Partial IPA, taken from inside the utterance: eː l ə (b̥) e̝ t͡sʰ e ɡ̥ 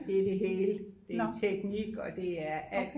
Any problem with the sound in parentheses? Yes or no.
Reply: yes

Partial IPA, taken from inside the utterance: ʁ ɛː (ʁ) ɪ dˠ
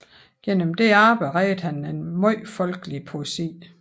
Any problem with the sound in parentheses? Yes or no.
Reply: yes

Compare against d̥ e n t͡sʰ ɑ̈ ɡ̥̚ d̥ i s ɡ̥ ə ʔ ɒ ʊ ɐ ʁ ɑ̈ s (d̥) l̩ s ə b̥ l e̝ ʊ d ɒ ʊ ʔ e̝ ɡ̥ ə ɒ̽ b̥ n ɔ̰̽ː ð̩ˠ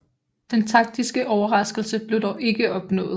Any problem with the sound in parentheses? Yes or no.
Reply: yes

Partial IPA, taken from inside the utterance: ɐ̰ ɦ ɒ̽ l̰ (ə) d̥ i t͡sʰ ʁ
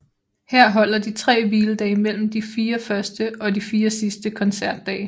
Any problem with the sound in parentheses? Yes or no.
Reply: yes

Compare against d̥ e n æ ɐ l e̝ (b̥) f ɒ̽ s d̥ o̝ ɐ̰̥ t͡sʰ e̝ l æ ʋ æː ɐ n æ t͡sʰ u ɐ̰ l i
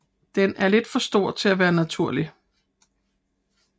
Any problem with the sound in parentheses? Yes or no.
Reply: yes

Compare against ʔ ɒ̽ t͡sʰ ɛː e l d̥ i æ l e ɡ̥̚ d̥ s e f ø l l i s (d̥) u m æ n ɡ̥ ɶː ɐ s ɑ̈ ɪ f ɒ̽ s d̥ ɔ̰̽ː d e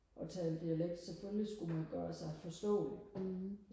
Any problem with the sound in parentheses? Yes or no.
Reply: yes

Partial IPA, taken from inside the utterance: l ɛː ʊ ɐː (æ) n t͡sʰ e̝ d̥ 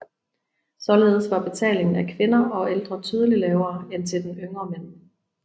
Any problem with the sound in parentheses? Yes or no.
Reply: yes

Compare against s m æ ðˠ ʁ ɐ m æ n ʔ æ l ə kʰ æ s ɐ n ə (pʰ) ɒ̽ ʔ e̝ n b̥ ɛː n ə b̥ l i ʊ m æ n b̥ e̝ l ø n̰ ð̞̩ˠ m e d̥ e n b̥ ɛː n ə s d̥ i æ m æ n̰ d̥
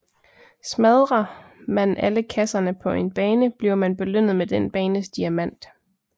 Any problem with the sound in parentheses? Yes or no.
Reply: no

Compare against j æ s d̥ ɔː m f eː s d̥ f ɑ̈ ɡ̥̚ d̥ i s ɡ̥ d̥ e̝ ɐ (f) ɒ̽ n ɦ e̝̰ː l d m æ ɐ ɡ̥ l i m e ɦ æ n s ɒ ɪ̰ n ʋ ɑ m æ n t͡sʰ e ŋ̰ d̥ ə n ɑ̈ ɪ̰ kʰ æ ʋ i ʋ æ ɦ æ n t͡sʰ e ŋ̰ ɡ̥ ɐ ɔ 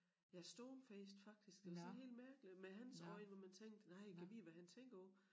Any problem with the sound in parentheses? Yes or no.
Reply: yes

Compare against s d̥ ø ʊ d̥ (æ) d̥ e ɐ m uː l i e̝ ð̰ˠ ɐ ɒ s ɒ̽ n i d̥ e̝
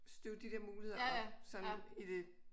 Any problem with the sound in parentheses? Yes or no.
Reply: yes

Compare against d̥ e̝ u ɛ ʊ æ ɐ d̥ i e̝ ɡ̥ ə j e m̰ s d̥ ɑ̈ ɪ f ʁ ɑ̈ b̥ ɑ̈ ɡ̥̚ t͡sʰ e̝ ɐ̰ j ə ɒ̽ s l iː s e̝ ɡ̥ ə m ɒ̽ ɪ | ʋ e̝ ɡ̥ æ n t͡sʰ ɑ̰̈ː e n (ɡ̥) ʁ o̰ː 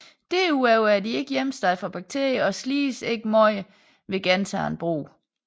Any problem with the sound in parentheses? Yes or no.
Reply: yes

